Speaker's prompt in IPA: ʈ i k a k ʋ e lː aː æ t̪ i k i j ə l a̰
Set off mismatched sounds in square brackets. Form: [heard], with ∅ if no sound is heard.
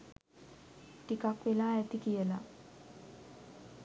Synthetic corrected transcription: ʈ i k a k ʋ e [l] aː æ t̪ i k i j ə l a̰